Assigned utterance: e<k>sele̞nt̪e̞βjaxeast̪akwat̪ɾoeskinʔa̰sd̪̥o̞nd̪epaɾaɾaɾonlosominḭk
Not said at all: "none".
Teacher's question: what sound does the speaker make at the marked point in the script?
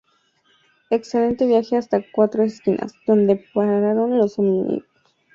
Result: k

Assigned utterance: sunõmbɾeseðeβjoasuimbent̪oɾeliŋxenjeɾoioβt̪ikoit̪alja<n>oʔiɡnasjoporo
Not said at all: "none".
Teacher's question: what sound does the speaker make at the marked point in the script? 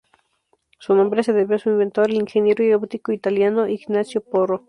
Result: n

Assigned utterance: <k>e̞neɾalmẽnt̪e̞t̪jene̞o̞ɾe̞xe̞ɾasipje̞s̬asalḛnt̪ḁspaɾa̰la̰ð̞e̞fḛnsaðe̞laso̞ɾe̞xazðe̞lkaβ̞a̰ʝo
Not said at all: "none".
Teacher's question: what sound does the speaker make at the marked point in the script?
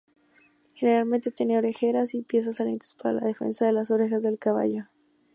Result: x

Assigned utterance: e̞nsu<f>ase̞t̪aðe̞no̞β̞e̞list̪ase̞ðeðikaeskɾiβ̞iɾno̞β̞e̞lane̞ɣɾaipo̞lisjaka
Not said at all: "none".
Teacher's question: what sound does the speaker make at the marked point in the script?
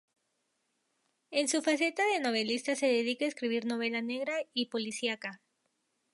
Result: f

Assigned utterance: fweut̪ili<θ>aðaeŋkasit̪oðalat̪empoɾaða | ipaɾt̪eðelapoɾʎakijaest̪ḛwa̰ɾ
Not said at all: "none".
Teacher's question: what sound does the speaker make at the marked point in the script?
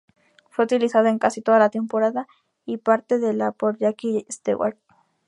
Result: s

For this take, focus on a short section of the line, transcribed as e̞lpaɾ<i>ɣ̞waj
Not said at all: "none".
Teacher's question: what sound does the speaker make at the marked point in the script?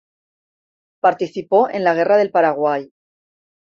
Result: a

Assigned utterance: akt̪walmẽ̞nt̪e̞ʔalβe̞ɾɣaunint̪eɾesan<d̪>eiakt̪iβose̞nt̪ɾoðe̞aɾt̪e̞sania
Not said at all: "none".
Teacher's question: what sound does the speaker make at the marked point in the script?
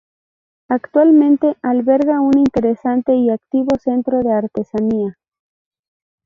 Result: t̪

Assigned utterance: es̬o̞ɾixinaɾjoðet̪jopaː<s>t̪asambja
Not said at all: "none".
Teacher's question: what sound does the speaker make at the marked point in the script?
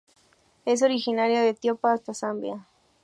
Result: s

